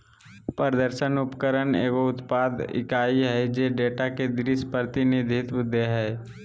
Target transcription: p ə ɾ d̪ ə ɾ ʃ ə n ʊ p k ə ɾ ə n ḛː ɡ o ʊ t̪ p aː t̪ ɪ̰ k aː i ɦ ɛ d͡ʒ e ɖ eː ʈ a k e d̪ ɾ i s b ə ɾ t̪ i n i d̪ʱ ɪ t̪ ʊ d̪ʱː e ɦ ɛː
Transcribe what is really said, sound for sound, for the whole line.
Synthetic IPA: p ə ɾ d̪ ə ɾ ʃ ə n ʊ p k ə ɾ ə n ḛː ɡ o ʊ t̪ p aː d̪ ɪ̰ k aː i ɦ ɛ d͡ʒ e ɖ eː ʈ a k e d̪ ɾ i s p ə ɾ t̪ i n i d̪ʱ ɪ t̪ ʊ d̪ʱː e ɦ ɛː